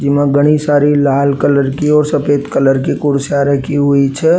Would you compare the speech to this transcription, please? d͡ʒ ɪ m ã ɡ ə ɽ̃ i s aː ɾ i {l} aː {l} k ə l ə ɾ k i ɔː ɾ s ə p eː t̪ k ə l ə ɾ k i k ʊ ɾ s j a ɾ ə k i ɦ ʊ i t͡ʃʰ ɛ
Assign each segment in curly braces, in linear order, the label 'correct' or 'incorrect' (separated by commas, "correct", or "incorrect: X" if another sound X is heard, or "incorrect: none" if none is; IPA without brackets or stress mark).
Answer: correct, correct